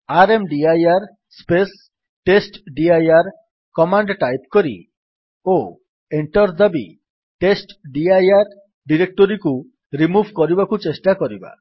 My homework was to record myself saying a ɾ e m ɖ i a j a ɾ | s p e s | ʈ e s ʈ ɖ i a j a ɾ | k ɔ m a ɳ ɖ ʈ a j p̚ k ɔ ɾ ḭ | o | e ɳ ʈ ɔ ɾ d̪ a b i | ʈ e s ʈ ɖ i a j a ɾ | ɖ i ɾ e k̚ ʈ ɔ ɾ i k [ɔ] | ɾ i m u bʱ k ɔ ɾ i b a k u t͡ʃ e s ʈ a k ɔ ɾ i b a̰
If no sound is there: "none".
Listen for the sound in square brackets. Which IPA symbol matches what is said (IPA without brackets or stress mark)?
u